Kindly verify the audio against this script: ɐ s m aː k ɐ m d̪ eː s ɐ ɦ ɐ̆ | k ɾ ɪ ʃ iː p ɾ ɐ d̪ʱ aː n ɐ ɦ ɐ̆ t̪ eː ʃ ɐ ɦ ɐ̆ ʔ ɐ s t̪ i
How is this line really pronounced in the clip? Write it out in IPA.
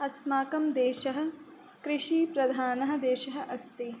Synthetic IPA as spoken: ɐ s m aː k ɐ m d̪ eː ʃ ɐ ɦ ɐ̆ | k ɾ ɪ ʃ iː p ɾ ɐ d̪ʱ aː n ɐ ɦ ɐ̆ d̪ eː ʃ ɐ ɦ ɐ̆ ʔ ɐ s t̪ i